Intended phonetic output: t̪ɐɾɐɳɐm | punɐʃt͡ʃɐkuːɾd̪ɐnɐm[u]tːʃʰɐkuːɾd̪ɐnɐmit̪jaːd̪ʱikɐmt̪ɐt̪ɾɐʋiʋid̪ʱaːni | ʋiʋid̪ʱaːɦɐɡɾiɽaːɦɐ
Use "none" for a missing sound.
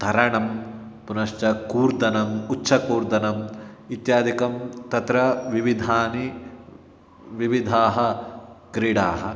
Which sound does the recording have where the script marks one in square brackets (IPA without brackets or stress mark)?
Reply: u